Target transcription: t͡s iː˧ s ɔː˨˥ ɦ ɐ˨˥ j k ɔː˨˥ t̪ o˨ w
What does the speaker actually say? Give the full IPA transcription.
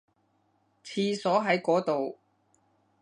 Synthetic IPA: t͡sʰ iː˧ s ɔː˨˥ ɦ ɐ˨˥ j k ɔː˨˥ t̪ o˨ w

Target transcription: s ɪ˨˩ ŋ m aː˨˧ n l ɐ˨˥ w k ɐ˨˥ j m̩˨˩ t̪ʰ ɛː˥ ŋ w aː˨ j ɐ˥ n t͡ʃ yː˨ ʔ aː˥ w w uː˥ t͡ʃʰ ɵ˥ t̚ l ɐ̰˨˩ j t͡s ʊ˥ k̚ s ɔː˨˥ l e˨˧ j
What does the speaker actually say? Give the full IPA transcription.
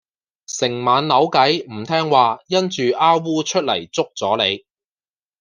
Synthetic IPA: s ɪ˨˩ ŋ m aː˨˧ n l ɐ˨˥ w k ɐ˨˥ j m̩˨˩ t̪ʰ ɛː˥ ŋ w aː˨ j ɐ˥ n t͡ʃ yː˨ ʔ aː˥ w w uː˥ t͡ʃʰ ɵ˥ t̚ l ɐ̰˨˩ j t͡s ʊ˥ k̚ t͡s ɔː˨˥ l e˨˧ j

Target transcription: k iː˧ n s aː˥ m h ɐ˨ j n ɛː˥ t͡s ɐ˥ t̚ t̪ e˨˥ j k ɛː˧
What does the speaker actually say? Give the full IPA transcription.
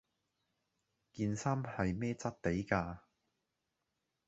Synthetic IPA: k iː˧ n s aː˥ m h ɐ˨ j m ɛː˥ t͡s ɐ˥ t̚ t̪ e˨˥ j k aː˧

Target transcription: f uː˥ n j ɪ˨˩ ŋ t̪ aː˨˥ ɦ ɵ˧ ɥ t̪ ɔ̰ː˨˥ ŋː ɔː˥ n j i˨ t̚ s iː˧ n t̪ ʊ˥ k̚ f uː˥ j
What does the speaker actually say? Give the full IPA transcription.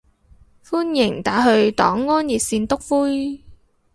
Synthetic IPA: f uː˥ n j ɪ˨˩ ŋ t̪ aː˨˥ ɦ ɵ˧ ɥ t̪ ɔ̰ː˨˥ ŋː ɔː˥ n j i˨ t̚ s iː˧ n t̪ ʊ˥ k̚ f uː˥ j

